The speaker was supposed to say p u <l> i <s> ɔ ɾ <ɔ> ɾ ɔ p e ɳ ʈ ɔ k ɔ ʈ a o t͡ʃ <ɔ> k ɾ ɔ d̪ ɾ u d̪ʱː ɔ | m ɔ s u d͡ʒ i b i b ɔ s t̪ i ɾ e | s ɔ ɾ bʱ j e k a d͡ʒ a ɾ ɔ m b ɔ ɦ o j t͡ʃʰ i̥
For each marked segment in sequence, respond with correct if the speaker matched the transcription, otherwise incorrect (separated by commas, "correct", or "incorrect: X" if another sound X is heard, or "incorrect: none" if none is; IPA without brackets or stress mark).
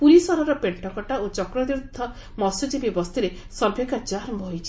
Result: incorrect: ɾ, correct, correct, correct